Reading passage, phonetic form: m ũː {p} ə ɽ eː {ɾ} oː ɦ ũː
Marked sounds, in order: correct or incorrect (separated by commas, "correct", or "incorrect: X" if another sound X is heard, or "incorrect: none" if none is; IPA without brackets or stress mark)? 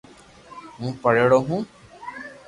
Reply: correct, incorrect: ɽ